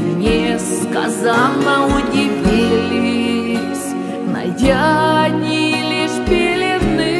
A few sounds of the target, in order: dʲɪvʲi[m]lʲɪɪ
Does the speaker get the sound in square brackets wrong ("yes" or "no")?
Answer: yes